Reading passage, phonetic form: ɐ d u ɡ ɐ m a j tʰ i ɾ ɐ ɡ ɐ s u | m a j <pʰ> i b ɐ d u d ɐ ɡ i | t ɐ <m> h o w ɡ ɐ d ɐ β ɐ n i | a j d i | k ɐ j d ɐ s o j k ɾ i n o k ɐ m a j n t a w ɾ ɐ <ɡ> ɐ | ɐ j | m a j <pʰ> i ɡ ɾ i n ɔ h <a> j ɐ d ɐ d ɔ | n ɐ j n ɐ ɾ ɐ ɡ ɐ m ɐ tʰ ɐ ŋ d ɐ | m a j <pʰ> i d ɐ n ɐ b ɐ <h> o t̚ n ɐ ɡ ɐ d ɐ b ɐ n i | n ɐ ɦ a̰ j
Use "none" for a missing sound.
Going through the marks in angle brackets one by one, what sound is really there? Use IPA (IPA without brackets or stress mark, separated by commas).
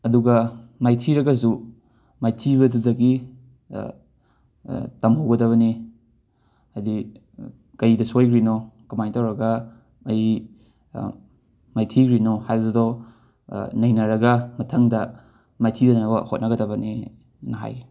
tʰ, m, ɡ, tʰ, a, tʰ, h